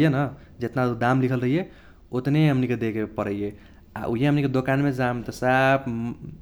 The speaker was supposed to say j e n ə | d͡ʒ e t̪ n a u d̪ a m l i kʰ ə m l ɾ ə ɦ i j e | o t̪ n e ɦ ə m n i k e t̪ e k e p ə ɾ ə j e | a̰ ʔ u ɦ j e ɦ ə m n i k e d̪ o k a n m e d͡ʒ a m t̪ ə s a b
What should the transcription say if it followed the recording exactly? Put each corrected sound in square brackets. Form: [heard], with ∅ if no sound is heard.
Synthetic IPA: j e n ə | d͡ʒ e t̪ n a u d̪ a m l i kʰ ə [∅] l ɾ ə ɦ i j e | o t̪ n e ɦ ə m n i k e [d̪] e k e p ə ɾ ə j e | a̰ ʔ u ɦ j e ɦ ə m n i k e d̪ o k a n m e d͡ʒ a m t̪ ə s a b